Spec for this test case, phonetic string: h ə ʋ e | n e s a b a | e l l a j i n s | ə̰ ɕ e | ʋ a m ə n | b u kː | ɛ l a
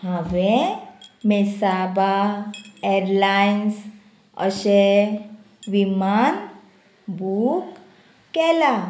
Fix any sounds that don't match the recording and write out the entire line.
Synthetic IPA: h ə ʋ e | m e s a b a | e ɾ l a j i n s | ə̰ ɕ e | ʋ i m a n | b u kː | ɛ l a

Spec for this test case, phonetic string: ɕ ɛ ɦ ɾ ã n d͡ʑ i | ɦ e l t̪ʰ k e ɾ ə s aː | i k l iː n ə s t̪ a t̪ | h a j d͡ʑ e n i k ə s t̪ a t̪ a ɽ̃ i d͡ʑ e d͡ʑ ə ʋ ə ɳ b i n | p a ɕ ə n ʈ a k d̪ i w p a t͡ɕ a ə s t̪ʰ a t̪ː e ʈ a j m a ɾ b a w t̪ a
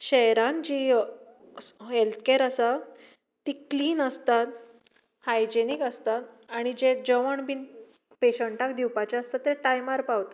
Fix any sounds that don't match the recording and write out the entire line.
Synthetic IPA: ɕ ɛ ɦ ɾ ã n d͡ʑ i | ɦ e l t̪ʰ k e ɾ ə s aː | i k l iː n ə s t̪ a t̪ | h a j d͡ʑ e n i k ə s t̪ a t̪ a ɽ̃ i d͡ʑ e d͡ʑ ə ʋ ə ɳ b i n | p e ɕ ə ɳ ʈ a k d̪ i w p a t͡ɕ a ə s t̪ a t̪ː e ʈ a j m a ɾ p a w t̪ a

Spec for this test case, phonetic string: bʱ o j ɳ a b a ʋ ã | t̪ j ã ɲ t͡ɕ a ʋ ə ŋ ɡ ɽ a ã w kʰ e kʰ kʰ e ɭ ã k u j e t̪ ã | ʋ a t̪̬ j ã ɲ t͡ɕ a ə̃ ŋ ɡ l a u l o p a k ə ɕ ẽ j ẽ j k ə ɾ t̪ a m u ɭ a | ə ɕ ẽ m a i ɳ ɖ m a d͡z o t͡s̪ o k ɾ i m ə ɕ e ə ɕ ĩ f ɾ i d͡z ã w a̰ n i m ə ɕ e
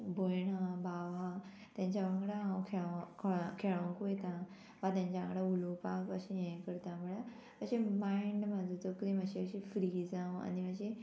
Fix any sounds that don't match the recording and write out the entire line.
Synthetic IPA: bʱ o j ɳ a b a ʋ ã | t̪ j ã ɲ t͡ɕ a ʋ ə ŋ ɡ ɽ a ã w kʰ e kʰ kʰ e ɭ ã k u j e t̪ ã | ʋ a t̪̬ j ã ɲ t͡ɕ a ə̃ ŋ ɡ ɽ a u l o p a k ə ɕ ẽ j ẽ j k ə ɾ t̪ a m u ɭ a | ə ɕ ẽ m a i ɳ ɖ m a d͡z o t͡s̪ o k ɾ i m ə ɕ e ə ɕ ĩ f ɾ i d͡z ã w a̰ n i m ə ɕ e

